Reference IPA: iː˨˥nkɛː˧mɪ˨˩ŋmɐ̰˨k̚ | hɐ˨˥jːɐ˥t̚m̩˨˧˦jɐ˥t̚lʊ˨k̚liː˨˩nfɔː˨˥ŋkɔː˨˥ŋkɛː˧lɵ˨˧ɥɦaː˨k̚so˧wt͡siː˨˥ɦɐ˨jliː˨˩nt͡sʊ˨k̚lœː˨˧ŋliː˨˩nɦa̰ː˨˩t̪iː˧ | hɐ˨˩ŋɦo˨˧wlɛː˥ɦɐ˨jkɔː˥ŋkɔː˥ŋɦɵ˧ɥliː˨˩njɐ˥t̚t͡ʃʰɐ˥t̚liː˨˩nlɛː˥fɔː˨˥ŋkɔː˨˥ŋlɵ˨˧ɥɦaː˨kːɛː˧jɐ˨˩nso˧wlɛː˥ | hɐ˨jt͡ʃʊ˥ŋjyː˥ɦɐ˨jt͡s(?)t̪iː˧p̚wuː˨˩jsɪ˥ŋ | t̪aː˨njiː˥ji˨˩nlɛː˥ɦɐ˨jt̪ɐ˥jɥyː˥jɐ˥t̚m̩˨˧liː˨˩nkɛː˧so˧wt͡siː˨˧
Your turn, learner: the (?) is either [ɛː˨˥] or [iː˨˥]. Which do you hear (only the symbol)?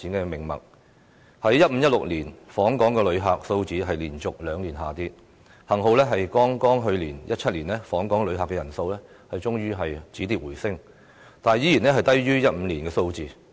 iː˨˥